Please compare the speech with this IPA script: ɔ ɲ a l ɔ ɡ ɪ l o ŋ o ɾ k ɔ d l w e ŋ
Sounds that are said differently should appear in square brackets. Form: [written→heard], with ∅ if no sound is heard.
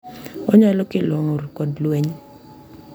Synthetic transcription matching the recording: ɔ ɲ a l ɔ [ɡ→k] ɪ l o ŋ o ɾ k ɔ d l w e [ŋ→ɲ]